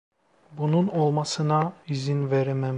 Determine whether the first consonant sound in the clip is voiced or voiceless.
voiced